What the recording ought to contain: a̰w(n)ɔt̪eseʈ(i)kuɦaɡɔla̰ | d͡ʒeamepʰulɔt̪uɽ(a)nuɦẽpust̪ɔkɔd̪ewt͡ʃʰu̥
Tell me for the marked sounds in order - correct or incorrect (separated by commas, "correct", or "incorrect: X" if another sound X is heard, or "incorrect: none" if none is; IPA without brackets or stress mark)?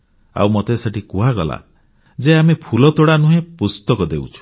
incorrect: m, correct, correct